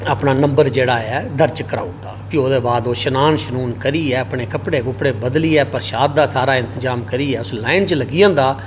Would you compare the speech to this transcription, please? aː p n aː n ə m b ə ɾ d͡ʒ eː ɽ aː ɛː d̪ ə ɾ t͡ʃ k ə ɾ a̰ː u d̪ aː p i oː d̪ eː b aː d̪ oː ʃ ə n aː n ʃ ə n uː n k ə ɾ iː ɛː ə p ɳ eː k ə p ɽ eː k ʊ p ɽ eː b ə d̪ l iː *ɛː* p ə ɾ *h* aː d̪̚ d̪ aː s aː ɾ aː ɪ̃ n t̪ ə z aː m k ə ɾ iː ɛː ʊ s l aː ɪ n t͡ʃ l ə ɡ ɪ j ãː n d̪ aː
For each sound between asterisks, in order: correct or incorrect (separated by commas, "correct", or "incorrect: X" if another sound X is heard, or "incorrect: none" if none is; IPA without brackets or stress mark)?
correct, incorrect: ʃ